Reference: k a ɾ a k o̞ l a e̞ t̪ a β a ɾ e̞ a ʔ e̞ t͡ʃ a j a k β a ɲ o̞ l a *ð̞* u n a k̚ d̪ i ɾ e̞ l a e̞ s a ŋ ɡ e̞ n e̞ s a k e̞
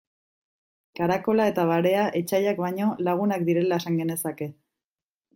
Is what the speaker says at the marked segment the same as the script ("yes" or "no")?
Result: no